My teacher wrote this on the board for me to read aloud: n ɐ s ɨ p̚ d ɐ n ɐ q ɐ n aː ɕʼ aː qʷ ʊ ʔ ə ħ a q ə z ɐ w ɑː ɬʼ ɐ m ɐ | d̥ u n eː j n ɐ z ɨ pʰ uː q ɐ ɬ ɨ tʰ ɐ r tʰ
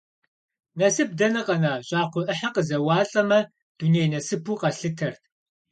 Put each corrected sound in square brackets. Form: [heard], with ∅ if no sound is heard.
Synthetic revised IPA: n ɐ s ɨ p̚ d ɐ n ɐ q ɐ n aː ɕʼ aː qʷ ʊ ʔ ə ħ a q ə z ɐ w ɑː ɬʼ ɐ m ɐ | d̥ u n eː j n ɐ [s] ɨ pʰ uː q ɐ ɬ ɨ tʰ ɐ r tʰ